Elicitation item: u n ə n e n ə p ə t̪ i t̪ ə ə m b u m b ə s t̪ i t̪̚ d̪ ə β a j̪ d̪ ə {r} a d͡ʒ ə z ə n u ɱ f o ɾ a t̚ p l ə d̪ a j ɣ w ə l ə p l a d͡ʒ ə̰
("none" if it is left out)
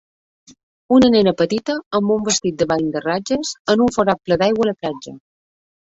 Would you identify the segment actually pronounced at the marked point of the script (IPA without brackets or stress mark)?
r